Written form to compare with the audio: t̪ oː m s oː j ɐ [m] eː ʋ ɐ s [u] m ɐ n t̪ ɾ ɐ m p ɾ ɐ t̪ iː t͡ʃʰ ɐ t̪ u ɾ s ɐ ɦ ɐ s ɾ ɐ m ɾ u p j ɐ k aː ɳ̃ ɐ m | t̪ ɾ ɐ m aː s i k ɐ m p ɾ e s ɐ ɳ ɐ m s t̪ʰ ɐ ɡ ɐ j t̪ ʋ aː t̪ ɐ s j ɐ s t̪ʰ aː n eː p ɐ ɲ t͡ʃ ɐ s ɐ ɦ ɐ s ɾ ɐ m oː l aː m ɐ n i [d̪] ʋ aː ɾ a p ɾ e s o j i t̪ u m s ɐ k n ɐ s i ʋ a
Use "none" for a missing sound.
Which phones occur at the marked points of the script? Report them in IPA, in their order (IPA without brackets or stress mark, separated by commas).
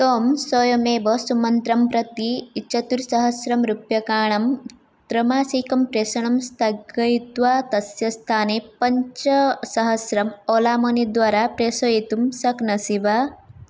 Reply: m, u, d̪